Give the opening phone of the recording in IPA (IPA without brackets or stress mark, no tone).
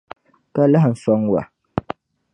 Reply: k